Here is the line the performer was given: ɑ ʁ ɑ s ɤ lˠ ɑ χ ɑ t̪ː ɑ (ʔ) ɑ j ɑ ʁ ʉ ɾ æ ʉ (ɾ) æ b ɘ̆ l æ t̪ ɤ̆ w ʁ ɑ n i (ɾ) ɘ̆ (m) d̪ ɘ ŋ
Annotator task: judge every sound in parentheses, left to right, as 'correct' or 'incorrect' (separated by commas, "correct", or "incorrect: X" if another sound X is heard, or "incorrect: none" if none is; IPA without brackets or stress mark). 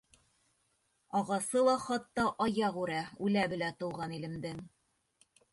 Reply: correct, incorrect: l, incorrect: l, correct